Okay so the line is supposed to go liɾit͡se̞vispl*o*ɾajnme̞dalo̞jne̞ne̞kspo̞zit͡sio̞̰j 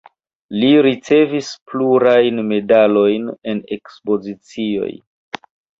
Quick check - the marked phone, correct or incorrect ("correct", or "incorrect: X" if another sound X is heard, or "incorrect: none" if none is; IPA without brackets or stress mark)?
incorrect: u